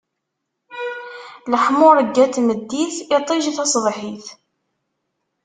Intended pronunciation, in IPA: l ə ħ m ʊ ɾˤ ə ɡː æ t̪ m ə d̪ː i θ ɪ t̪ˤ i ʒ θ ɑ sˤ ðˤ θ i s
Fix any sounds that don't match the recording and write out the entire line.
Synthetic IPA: l ə ħ m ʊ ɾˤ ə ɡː æ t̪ m ə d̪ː i θ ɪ t̪ˤ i ʒ θ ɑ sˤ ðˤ ħ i θ